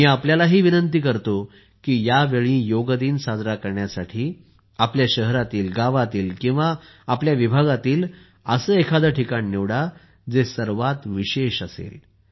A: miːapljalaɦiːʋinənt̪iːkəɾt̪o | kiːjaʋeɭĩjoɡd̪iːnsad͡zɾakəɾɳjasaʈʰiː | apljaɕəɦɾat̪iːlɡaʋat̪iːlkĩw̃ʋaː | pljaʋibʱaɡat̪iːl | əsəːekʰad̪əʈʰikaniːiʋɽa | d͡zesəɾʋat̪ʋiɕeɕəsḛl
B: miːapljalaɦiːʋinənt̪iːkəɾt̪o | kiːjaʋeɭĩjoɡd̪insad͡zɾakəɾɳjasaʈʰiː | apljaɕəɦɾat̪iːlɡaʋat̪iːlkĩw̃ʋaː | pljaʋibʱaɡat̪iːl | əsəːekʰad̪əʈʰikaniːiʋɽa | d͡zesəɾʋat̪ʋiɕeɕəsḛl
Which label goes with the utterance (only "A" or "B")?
A